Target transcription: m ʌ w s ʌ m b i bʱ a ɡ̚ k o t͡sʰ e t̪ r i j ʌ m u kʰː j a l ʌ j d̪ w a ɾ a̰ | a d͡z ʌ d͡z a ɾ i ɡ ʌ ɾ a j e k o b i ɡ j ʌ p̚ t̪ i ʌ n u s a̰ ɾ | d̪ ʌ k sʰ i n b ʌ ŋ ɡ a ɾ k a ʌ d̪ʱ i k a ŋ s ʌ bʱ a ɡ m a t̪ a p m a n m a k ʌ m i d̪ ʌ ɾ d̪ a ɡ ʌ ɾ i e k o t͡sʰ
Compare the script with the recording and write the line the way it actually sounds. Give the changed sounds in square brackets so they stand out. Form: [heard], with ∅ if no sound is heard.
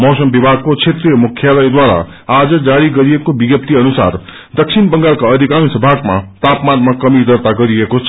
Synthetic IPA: m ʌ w s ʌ m b i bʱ a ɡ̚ k o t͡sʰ e t̪ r i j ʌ m u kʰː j a l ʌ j d̪ w a ɾ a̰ | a d͡z ʌ d͡z a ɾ i ɡ ʌ ɾ [i] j e k o b i ɡ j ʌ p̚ t̪ i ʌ n u s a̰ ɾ | d̪ ʌ k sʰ i n b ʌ ŋ ɡ a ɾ k a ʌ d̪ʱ i k a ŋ s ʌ bʱ a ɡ m a t̪ a p m a n m a k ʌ m i d̪ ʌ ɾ [t̪] a ɡ ʌ ɾ i e k o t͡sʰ